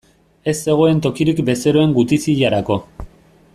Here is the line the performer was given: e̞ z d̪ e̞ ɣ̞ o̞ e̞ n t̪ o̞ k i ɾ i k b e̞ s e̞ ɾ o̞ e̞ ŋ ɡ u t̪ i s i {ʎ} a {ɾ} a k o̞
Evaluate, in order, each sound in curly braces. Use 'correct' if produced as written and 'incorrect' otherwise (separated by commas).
correct, correct